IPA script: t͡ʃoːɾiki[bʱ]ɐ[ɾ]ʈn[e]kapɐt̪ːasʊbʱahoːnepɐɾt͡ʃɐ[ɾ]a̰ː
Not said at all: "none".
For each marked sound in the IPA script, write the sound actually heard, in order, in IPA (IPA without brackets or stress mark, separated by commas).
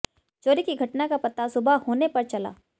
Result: ɡʱ, none, a, l